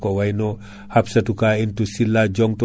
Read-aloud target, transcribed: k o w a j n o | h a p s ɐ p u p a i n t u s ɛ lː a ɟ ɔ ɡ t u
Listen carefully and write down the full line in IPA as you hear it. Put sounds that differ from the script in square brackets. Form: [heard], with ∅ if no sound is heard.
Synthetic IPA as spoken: k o w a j n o | h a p s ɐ [t] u [k] a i n t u s [i] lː a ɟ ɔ [ŋ] t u